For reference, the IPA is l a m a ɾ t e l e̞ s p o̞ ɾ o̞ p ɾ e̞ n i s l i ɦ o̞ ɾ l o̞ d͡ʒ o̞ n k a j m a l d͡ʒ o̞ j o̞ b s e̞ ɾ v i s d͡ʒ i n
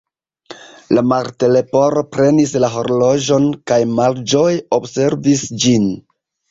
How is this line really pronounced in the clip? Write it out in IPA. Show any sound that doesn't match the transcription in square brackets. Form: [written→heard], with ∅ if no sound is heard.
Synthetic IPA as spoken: l a m a ɾ t e l e̞ [s→∅] p o̞ ɾ o̞ p ɾ e̞ n i s l [i→a] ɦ o̞ ɾ l o̞ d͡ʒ o̞ n k a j m a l d͡ʒ o̞ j o̞ b s e̞ ɾ v i s d͡ʒ i n